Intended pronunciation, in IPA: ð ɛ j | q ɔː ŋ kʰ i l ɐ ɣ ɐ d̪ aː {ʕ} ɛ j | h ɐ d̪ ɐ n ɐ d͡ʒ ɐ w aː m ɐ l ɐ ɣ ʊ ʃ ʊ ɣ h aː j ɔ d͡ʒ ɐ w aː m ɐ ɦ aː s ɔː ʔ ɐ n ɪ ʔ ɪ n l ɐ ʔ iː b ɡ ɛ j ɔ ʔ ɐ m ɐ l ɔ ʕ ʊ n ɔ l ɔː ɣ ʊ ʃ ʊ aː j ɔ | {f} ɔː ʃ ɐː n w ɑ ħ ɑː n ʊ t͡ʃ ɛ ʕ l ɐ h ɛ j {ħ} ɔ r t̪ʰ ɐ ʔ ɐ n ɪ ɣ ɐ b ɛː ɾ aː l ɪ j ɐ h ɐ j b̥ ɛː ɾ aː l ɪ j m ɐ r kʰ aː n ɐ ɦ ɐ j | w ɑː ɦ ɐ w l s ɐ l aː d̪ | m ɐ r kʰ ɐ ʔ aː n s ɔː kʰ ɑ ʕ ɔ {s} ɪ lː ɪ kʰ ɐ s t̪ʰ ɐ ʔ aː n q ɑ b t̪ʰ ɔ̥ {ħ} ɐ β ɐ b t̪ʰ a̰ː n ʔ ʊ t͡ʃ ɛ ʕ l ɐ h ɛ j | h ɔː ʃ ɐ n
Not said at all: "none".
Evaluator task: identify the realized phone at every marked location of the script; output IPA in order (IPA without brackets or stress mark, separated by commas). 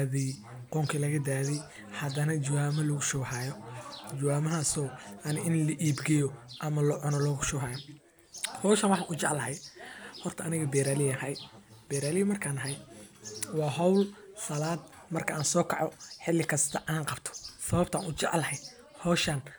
ð, h, h, ħ, s